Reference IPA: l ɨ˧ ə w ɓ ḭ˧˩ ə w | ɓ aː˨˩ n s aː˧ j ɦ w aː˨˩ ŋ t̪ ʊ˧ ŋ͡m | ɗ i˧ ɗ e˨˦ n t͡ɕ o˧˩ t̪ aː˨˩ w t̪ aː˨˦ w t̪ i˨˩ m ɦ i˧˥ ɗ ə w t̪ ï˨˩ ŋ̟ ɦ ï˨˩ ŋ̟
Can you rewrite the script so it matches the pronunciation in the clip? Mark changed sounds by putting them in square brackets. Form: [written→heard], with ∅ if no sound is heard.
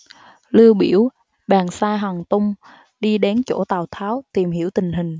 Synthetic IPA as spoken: l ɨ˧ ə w ɓ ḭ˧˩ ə w | ɓ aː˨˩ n s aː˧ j ɦ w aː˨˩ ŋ t̪ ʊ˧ ŋ͡m | ɗ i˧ ɗ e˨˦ n t͡ɕ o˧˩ t̪ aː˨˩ w [t̪→t̪ʰ] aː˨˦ w t̪ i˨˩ m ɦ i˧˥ [ɗ→∅] ə w t̪ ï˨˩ ŋ̟ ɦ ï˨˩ ŋ̟